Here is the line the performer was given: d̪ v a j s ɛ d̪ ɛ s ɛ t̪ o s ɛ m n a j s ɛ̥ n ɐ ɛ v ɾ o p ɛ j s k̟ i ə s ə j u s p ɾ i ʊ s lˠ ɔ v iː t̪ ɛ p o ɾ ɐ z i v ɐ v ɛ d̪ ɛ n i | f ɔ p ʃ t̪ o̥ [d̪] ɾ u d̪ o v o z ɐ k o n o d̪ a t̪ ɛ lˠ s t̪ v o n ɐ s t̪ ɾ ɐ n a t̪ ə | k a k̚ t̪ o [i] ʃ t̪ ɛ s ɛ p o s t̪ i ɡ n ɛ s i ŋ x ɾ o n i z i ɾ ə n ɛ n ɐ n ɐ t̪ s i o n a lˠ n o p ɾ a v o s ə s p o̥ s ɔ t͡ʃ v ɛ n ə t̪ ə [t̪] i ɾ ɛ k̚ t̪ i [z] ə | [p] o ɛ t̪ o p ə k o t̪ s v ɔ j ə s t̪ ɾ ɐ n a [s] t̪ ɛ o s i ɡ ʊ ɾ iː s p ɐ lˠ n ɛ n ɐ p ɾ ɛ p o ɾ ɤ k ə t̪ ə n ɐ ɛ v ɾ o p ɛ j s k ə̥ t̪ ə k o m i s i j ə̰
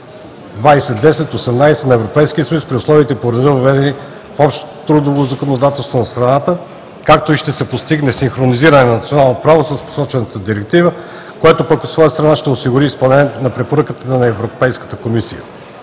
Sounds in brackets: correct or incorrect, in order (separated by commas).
incorrect, correct, incorrect, incorrect, incorrect, incorrect